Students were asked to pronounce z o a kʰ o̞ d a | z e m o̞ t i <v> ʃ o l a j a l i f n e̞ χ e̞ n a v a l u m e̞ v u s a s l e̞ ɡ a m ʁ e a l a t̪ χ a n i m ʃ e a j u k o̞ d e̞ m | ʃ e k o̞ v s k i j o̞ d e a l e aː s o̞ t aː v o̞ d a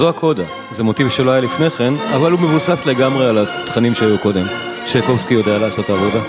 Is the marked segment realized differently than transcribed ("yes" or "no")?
no